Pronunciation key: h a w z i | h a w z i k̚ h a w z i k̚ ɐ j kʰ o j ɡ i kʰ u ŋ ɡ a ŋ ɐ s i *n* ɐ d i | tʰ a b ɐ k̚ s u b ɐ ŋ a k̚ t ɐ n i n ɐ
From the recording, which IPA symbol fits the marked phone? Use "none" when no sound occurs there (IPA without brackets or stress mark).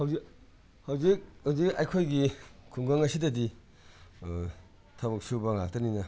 d